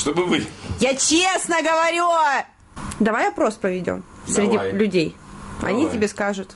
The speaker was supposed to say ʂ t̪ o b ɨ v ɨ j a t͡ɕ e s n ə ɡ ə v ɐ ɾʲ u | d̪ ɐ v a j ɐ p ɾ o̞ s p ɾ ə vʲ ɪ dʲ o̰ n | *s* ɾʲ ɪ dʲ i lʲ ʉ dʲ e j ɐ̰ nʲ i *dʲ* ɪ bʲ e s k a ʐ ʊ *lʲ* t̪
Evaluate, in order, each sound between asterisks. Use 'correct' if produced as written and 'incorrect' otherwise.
correct, incorrect: tʲ, incorrect: none

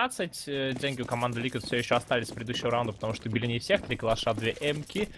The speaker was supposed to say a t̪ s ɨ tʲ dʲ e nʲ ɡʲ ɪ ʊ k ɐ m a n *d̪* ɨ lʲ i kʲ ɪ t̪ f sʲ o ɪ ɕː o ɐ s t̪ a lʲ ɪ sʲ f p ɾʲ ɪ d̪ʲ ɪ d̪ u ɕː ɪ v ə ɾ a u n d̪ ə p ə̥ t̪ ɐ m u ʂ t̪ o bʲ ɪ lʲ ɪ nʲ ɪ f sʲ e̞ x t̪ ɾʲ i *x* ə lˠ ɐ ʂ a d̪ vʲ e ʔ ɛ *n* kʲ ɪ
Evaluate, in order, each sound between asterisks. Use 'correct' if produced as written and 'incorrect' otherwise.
correct, incorrect: k, incorrect: m

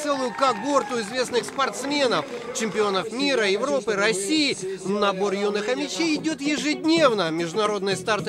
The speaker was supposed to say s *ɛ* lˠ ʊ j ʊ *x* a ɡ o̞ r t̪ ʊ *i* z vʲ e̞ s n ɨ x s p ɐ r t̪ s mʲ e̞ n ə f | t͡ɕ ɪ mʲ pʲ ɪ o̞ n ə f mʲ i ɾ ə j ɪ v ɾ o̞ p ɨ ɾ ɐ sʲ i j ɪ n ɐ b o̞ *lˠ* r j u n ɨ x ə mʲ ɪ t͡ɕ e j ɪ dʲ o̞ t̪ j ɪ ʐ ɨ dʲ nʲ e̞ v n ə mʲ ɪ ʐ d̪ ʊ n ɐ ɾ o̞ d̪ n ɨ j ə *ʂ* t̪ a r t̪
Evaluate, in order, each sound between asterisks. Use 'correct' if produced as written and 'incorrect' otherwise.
correct, incorrect: k, incorrect: ɪ, incorrect: none, incorrect: s

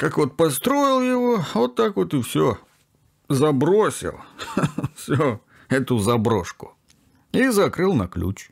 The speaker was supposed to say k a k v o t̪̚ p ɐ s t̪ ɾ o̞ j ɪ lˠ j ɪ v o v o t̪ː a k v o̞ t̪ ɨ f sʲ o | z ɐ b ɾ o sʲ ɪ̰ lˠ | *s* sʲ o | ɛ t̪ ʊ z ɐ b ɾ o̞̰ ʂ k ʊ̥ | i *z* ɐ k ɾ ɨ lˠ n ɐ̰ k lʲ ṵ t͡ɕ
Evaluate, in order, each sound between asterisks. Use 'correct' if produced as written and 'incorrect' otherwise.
incorrect: f, correct

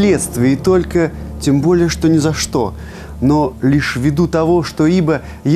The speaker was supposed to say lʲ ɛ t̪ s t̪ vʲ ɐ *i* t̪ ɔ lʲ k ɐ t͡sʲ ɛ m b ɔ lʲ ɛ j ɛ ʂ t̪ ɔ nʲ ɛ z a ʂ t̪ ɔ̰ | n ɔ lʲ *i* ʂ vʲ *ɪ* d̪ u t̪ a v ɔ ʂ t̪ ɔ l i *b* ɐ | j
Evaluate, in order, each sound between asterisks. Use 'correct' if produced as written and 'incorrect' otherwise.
correct, correct, incorrect: i, correct

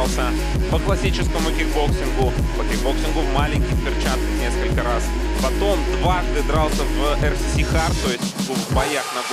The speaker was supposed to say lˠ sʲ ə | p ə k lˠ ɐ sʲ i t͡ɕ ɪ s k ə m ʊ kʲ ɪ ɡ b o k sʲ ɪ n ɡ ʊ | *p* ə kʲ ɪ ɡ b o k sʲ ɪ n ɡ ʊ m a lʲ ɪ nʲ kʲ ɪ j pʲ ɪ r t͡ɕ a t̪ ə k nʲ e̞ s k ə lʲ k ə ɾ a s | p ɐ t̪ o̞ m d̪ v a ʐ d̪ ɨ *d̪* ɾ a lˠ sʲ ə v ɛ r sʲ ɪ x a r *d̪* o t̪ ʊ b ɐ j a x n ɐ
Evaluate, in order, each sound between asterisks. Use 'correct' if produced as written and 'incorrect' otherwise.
correct, correct, incorrect: t̪

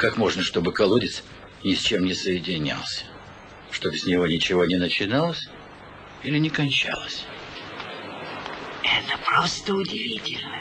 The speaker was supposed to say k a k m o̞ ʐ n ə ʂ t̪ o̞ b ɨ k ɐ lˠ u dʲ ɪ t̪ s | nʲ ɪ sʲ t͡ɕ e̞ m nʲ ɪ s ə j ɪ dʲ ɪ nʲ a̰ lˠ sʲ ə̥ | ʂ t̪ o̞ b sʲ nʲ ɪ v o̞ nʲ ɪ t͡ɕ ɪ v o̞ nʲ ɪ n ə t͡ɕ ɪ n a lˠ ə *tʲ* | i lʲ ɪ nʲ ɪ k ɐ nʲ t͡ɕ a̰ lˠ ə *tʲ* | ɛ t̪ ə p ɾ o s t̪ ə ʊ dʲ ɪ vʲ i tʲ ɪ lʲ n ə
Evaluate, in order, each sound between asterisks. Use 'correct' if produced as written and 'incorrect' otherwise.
incorrect: sʲ, incorrect: sʲ

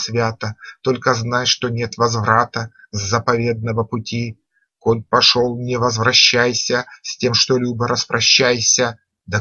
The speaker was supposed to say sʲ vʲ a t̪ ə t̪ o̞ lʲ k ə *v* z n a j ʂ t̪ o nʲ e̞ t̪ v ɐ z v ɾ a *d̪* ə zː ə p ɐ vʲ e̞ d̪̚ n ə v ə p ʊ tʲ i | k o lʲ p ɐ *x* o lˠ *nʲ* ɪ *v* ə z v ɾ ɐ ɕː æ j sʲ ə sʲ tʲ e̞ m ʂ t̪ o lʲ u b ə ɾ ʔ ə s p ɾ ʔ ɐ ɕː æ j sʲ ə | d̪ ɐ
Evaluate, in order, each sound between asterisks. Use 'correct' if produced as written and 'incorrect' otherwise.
incorrect: none, incorrect: t̪, incorrect: ʂ, correct, correct

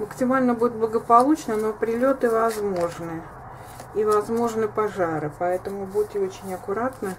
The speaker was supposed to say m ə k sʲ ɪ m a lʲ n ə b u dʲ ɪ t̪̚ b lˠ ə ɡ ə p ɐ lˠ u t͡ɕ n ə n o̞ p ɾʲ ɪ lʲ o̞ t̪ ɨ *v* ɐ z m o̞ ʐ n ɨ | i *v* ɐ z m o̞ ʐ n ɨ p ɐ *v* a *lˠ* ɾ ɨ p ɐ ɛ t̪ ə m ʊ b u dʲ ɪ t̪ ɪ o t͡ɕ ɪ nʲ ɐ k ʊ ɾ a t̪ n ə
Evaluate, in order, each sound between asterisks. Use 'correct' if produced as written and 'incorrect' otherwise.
correct, correct, incorrect: ʐ, incorrect: none

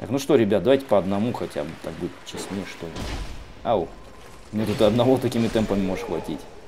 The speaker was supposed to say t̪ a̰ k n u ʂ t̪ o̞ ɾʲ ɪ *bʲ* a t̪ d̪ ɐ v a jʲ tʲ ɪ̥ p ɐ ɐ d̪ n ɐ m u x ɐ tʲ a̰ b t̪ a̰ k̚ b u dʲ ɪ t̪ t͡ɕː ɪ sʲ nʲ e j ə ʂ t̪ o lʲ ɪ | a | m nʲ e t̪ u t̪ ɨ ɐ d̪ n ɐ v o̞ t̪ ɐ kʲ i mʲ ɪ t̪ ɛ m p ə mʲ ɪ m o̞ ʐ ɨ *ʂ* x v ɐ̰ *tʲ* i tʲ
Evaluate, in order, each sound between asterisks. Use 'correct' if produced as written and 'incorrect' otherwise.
correct, correct, correct

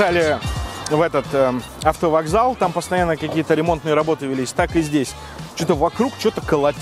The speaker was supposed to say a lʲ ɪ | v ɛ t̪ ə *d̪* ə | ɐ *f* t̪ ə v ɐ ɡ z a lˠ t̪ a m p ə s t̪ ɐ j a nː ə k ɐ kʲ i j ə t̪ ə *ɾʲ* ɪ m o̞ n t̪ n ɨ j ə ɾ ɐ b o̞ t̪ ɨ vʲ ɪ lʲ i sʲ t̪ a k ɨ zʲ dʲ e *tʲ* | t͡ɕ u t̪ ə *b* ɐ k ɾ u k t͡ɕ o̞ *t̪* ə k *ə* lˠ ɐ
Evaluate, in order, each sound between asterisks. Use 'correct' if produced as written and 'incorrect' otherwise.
incorrect: t̪, correct, correct, incorrect: sʲ, incorrect: v, correct, correct

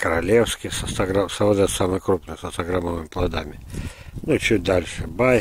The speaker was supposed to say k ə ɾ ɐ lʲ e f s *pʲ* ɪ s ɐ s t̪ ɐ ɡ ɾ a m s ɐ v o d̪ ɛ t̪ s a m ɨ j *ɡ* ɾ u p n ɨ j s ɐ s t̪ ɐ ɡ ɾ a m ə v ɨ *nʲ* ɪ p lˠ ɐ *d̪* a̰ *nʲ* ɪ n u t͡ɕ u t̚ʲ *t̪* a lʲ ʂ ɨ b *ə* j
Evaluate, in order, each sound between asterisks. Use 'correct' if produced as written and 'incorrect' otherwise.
incorrect: kʲ, incorrect: k, incorrect: mʲ, correct, incorrect: mʲ, incorrect: d̪, incorrect: a

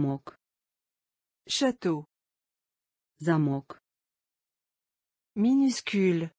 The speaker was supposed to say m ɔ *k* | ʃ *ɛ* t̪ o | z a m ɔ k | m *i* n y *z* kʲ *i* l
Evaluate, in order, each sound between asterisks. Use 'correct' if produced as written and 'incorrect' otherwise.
correct, incorrect: a, correct, incorrect: s, incorrect: y

